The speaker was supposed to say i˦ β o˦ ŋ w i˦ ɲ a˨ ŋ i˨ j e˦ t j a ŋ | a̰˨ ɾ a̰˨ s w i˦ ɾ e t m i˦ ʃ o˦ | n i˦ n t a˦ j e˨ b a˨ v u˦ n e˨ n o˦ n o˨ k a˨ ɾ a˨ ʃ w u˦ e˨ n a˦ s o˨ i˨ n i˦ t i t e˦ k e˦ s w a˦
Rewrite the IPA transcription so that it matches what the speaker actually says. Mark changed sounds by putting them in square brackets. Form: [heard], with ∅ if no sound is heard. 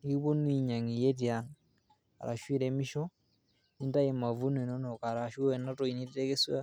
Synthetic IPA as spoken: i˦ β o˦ [n] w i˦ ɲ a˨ ŋ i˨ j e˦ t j a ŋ | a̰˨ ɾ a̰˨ [ʃ] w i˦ ɾ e [∅] m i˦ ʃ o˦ | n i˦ n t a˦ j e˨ [m] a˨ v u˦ n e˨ n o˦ n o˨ k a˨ ɾ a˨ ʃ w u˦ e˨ n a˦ [t] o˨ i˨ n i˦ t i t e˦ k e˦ s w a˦